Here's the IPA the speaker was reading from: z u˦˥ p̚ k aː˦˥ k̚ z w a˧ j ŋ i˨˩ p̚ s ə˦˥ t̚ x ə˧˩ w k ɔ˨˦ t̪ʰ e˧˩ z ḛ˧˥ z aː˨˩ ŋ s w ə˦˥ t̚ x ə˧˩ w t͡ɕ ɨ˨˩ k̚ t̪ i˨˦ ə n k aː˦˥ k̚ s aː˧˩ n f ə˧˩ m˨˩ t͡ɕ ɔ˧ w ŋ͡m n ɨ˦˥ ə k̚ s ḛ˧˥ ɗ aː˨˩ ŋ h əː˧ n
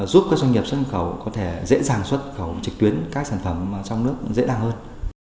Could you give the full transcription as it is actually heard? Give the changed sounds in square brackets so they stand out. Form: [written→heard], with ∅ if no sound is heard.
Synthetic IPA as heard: z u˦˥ p̚ k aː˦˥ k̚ z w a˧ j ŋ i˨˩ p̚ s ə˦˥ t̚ x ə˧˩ w k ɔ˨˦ t̪ʰ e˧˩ z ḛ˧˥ z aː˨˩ ŋ s w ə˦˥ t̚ x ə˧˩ w t͡ɕ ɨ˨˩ k̚ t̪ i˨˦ ə n k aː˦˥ k̚ s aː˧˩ n f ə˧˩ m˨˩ t͡ɕ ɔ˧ w ŋ͡m n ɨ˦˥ ə k̚ [s→z] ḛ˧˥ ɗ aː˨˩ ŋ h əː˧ n